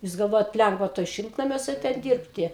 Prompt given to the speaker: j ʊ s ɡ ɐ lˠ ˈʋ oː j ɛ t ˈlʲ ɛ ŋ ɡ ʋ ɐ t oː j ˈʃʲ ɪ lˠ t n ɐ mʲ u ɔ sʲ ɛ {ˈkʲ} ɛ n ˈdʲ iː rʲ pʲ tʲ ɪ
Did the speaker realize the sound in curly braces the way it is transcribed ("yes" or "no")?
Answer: no